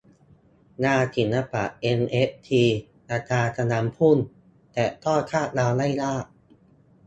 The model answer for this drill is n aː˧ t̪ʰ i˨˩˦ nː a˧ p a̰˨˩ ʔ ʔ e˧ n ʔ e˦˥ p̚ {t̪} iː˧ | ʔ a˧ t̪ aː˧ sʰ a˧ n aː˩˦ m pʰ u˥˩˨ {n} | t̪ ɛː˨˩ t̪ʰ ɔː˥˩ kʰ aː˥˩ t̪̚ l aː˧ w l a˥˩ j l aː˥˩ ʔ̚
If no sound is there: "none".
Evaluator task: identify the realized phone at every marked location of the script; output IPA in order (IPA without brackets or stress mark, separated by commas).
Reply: t̪ʰ, n